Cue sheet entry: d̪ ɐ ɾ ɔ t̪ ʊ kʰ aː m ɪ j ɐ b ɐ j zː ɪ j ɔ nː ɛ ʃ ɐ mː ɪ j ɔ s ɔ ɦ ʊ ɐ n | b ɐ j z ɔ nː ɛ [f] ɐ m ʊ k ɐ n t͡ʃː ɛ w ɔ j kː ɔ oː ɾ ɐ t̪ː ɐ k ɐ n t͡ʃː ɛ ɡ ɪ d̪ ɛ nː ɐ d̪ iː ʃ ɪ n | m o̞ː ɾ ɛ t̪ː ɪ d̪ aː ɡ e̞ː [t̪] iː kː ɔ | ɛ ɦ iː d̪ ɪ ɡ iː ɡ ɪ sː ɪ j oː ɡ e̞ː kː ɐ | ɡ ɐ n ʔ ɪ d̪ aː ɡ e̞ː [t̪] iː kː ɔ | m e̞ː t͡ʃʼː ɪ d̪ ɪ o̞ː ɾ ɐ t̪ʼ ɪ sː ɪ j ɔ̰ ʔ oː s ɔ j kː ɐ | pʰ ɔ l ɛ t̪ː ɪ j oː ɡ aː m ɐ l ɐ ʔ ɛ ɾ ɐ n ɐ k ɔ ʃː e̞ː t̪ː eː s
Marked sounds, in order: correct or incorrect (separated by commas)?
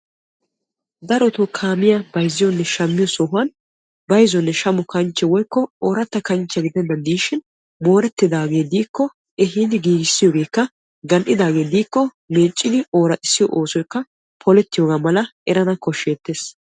incorrect, incorrect, incorrect